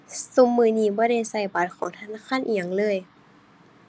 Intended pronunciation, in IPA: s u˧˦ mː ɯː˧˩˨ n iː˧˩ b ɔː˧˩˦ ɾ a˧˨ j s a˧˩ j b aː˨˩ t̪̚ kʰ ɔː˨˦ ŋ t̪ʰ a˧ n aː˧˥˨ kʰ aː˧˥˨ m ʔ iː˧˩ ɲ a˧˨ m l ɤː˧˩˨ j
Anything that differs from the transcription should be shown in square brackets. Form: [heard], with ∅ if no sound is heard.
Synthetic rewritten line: s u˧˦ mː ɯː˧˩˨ n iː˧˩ b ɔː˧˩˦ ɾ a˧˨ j s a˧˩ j b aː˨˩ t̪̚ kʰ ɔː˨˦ ŋ t̪ʰ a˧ n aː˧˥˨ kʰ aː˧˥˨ [n] ʔ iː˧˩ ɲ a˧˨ [ŋ] l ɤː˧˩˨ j